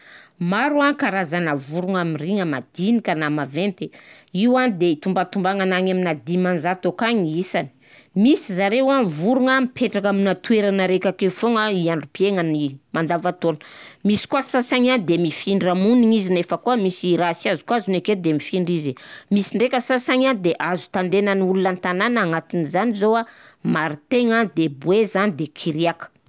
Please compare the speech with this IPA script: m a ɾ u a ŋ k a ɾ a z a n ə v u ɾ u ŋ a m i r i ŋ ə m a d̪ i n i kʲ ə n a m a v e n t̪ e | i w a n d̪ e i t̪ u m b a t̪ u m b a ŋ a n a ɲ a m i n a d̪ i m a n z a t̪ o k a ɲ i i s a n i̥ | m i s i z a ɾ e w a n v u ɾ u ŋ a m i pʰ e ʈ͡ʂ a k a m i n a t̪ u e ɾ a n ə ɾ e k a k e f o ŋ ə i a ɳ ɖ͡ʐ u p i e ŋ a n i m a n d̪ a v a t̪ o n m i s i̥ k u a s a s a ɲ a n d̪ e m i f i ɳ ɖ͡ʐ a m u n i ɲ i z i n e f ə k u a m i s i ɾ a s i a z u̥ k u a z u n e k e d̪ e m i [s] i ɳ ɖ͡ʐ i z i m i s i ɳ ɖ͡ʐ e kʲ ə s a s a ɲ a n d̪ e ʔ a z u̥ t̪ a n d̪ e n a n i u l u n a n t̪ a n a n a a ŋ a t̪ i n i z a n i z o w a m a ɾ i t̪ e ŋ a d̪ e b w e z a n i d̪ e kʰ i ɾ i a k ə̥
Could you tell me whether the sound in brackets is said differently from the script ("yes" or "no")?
yes